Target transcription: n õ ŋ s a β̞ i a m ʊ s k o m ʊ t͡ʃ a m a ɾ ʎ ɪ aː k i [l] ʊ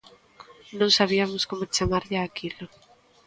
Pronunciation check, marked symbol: correct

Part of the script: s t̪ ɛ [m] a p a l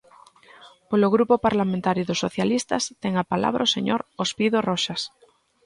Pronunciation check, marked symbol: incorrect: ŋ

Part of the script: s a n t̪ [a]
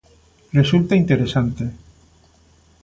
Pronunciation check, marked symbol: incorrect: e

